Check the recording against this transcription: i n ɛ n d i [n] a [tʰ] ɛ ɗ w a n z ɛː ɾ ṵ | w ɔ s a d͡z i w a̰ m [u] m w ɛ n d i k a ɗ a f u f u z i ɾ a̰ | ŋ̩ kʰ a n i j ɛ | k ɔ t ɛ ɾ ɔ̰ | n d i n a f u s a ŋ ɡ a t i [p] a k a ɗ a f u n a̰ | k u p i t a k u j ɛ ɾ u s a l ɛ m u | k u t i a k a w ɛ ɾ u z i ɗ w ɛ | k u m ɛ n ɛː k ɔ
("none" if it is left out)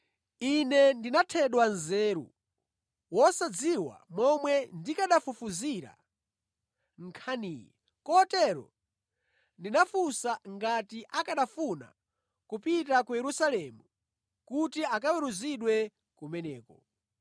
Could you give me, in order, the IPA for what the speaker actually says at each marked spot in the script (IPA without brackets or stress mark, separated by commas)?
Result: n, tʰ, ɔ, ʔ